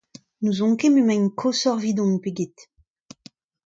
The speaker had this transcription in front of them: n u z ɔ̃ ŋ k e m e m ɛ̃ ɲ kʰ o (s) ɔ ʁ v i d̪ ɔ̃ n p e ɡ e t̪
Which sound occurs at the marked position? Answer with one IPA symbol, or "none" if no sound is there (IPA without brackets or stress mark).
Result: s